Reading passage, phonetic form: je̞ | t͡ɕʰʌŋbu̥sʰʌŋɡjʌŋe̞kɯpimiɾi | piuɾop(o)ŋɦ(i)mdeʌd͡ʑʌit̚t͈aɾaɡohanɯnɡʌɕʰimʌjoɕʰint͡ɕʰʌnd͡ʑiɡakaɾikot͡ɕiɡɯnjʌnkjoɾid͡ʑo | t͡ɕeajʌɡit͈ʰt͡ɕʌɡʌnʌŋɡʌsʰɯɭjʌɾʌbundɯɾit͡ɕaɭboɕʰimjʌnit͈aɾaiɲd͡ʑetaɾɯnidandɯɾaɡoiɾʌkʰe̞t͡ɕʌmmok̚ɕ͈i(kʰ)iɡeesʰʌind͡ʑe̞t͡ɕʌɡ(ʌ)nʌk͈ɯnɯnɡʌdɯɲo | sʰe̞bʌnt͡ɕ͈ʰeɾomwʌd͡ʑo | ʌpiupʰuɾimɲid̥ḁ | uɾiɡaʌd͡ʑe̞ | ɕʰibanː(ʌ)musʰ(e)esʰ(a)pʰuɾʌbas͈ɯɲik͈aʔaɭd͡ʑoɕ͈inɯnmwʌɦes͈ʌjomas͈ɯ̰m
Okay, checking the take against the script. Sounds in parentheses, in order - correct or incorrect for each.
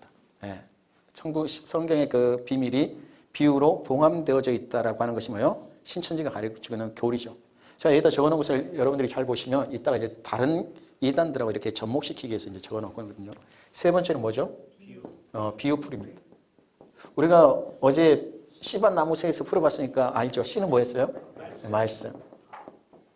correct, incorrect: a, correct, correct, incorrect: a, correct, incorrect: ʌ

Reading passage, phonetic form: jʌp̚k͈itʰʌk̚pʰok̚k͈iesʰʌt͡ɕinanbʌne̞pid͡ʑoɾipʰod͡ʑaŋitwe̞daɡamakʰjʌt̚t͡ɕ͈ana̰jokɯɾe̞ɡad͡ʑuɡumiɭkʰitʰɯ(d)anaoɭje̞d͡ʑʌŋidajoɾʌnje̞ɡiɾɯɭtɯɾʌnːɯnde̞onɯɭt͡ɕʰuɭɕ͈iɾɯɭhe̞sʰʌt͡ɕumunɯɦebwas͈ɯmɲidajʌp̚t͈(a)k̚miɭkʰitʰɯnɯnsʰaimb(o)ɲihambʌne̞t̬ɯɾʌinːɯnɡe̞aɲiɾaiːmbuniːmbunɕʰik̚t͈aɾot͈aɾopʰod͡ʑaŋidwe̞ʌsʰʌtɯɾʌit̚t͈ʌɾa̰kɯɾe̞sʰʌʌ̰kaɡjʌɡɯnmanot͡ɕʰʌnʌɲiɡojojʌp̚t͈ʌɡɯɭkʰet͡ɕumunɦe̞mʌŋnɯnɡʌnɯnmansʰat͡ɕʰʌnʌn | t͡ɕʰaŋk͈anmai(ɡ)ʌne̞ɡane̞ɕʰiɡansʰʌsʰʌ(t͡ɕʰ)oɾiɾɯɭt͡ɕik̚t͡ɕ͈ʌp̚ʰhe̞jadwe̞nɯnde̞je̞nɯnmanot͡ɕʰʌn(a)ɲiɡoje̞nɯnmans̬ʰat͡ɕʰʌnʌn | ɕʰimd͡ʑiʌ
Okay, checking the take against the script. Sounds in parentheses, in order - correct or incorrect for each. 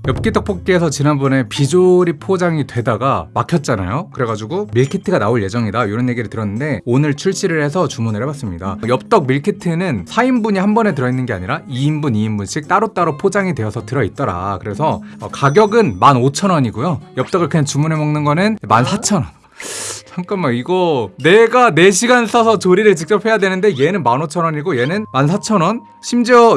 incorrect: ɡ, incorrect: ʌ, incorrect: u, correct, incorrect: t͡ɕ, incorrect: ʌ

